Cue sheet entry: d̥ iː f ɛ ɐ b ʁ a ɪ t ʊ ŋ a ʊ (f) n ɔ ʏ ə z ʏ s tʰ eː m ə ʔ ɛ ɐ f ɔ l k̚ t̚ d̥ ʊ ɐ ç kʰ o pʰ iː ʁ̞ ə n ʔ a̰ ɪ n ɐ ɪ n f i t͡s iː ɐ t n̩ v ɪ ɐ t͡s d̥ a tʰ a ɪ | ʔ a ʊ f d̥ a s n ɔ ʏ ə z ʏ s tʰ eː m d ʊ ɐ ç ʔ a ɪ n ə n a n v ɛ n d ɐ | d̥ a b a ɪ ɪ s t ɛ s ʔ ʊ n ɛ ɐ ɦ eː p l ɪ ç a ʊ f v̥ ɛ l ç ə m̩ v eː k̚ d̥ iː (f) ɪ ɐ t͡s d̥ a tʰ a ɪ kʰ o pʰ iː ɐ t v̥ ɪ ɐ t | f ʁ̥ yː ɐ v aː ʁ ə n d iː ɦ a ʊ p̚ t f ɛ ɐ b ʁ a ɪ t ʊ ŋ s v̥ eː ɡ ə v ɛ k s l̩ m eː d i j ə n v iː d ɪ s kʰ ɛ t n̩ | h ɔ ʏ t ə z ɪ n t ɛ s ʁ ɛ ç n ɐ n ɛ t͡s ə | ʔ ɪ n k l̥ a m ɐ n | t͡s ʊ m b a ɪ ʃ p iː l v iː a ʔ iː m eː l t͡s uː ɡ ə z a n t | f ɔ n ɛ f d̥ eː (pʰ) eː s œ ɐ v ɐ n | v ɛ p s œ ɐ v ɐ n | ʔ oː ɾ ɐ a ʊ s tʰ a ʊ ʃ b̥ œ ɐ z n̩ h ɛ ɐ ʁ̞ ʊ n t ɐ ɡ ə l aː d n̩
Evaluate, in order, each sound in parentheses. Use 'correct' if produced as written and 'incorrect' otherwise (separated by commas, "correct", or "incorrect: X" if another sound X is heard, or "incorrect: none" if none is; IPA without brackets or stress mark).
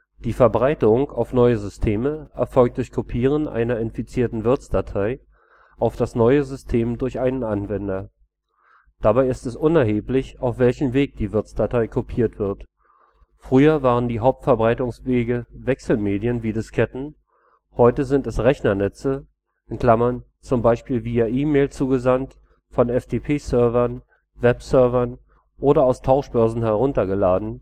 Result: correct, incorrect: v, correct